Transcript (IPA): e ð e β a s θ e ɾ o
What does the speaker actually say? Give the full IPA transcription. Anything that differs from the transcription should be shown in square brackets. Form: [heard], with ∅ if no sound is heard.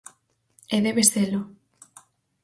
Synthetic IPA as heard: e ð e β [e] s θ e [l] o

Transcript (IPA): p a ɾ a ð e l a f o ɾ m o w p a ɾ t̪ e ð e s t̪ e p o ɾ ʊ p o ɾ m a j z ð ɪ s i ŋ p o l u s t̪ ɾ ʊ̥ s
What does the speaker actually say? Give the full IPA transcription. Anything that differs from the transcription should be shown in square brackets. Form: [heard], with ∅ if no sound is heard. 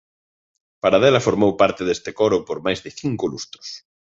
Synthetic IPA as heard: p a ɾ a ð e l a f o ɾ m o w p a ɾ t̪ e ð e s t̪ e [k] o ɾ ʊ p o ɾ m a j z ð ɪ [θ] i ŋ [k] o l u s t̪ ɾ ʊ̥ s

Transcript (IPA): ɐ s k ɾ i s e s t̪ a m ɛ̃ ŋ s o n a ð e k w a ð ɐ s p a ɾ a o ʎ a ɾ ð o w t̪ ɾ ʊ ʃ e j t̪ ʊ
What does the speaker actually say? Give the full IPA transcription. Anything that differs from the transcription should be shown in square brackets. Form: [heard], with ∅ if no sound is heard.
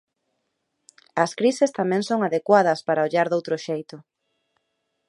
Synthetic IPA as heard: ɐ s k ɾ i s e s t̪ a m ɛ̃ ŋ s o [ŋ] a ð e k w a ð ɐ s p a ɾ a o ʎ a ɾ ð o w t̪ ɾ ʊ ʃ e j t̪ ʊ

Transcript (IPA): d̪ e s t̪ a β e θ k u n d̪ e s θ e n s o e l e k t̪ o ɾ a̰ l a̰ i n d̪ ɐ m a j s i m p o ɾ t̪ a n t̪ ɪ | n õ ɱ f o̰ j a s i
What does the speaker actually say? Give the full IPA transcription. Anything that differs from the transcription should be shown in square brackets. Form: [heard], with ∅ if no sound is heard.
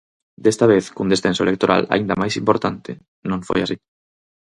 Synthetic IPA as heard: d̪ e s t̪ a β e θ k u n d̪ e s θ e n s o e l e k t̪ o ɾ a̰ l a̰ i n d̪ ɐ m a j s i m p o ɾ t̪ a n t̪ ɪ | n õ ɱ f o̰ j a s i

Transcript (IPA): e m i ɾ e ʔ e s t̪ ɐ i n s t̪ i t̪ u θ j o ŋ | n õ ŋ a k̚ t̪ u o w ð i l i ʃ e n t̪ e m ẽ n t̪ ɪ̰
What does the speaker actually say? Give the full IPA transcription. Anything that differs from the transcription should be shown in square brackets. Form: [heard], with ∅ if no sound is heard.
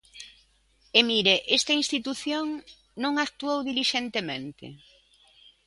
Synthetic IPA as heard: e m i ɾ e ʔ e s t̪ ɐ i n s t̪ i t̪ u θ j o ŋ | n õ ŋ a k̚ t̪ u o w ð i l i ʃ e n t̪ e m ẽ n t̪ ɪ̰

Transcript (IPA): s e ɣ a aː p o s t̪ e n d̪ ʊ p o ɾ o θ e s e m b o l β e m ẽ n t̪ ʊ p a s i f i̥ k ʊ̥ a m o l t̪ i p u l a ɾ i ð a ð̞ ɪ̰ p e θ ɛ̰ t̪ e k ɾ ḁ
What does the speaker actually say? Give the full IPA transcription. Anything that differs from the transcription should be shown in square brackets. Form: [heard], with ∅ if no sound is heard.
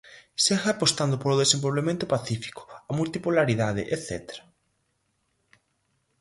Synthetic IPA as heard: s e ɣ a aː p o s t̪ [a] n d̪ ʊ p o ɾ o [ð] e s e m b o l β e m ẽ n t̪ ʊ p a [θ] i f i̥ k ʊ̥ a m [u] l t̪ i p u l a ɾ i ð a ð̞ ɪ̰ [ʔ] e θ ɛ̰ t̪ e [∅] ɾ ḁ

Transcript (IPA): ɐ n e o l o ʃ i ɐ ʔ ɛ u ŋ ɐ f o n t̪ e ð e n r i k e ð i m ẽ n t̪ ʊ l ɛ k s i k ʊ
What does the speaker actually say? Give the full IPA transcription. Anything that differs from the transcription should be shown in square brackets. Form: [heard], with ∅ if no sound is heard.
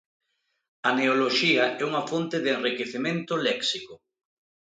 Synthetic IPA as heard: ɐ n e o l o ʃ i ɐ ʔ ɛ u ŋ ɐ f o n t̪ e ð e n r i k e [θ] i m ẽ n t̪ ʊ l ɛ k s i k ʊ

